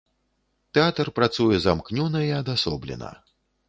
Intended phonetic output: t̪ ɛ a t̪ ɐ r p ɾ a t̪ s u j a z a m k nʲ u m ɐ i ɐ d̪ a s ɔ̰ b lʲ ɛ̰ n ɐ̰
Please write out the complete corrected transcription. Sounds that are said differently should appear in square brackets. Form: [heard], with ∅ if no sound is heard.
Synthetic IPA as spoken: t̪ ɛ a t̪ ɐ r p ɾ a t̪ s u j [ɛ] z a m k nʲ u [n] ɐ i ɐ d̪ a s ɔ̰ b lʲ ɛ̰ n ɐ̰